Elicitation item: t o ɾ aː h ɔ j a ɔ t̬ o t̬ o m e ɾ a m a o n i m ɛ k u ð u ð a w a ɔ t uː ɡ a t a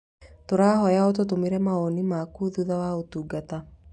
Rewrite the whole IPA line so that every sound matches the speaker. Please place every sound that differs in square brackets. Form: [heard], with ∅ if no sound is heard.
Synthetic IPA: t o ɾ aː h ɔ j a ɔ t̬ o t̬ o m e ɾ [ɛ] m a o n i m [a] k u ð u ð a w a [o] t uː ɡ a t a